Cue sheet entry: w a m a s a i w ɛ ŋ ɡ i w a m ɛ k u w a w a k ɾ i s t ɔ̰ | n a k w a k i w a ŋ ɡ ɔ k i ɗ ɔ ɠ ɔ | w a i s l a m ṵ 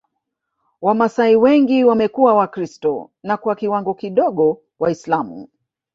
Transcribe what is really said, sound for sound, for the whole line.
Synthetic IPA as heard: w a m a s a i w ɛ ŋ ɡ i w a m ɛ k u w a w a k ɾ i s t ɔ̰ | n a k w a k i w a ŋ ɡ ɔ k i ɗ ɔ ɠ ɔ | w a i s l a m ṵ